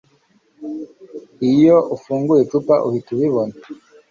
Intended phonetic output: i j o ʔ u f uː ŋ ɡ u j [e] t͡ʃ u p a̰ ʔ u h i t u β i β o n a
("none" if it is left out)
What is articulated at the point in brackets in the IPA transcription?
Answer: e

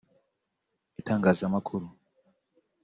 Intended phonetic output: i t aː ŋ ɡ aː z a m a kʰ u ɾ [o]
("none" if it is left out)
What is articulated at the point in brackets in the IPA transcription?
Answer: u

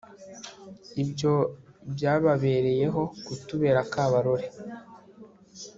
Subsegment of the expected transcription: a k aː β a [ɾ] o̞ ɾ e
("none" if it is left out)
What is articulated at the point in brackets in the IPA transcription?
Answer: ɾ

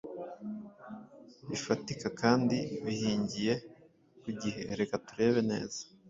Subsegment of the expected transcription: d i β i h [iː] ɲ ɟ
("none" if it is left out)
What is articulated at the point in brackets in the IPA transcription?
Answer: iː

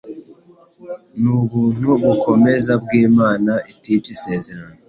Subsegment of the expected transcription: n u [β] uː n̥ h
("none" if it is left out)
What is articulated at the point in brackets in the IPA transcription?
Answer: β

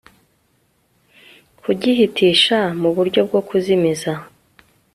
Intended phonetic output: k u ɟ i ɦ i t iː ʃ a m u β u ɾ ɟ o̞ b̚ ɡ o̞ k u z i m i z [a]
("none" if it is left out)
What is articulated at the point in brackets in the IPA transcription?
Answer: a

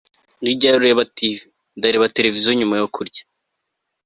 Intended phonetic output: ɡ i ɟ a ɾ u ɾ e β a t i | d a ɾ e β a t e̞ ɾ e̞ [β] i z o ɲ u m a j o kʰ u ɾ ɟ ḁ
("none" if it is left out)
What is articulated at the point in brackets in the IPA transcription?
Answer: v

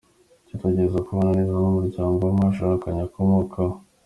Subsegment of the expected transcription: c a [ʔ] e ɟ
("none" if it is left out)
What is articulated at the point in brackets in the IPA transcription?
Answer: t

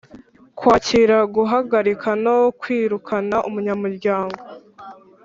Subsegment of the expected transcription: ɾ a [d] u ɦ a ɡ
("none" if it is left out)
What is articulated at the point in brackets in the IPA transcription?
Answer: ɡ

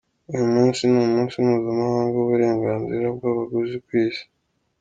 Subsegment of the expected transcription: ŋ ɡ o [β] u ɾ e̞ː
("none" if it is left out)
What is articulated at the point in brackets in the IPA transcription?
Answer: β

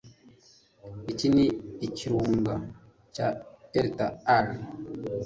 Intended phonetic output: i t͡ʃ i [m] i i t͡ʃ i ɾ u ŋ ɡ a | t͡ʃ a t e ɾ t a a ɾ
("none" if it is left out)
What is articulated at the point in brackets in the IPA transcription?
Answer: n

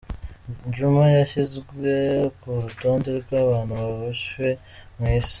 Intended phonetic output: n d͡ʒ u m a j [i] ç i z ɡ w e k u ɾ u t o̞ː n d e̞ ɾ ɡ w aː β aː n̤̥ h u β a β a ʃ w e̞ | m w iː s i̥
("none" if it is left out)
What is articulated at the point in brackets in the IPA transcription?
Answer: a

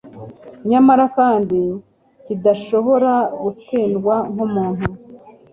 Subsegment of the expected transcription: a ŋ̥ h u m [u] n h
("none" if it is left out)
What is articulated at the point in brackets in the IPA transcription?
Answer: uː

